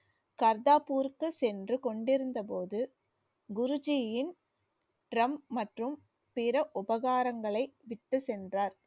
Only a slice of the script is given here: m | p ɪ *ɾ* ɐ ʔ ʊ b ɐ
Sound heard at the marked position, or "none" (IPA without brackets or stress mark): ɾ